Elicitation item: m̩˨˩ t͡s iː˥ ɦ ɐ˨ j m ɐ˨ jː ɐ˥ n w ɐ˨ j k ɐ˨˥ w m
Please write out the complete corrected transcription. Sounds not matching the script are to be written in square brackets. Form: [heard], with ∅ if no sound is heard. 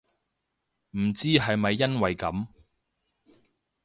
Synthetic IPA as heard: m̩˨˩ t͡s iː˥ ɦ ɐ˨ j m ɐ˨ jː ɐ˥ n w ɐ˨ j k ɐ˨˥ [∅] m